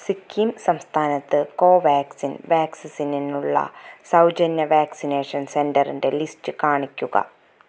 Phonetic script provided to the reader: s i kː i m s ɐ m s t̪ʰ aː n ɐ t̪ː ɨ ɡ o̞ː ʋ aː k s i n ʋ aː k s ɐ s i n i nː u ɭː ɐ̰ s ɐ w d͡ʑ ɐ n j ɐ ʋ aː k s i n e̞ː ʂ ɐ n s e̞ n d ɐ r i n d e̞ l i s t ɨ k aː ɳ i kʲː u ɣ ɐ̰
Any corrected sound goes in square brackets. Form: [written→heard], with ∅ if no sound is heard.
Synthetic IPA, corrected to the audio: s i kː i m s ɐ m s t̪ʰ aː n ɐ t̪ː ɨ [ɡ→k] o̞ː ʋ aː k s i n ʋ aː k s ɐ s i n i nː u ɭː ɐ̰ s ɐ w d͡ʑ ɐ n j ɐ ʋ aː k s i n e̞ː ʂ ɐ n s e̞ n d ɐ r i n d e̞ l i s t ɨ k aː ɳ i kʲː u ɣ ɐ̰